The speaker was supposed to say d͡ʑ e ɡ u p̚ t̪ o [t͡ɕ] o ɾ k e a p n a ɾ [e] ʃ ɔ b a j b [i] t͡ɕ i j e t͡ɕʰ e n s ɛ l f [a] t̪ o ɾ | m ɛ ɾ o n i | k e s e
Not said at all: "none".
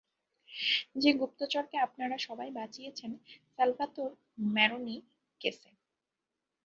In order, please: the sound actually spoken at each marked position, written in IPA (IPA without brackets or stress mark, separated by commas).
t͡ɕ, a, a, a